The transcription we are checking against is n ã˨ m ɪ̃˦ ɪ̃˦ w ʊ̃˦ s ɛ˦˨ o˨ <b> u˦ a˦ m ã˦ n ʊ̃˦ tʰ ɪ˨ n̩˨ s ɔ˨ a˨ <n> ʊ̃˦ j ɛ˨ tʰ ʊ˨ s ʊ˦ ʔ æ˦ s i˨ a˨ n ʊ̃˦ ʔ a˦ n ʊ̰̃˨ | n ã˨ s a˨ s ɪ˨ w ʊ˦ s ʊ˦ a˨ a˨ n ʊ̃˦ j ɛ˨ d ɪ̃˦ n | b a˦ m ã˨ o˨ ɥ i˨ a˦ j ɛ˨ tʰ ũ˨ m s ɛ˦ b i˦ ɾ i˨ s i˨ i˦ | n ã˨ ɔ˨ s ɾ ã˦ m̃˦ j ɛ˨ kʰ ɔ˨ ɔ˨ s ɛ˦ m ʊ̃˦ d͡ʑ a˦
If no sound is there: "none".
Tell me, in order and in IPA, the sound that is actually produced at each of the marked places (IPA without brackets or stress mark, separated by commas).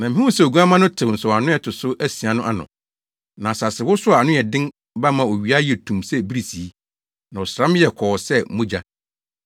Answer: ɡ, n